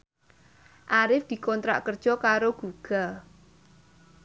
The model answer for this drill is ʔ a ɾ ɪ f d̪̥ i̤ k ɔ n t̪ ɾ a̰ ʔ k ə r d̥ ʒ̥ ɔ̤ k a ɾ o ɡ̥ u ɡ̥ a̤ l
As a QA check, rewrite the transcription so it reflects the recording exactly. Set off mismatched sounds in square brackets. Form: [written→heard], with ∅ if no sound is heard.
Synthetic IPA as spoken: ʔ a ɾ ɪ f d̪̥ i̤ k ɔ n t̪ ɾ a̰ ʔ k ə r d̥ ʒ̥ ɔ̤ k a ɾ o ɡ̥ u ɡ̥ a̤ l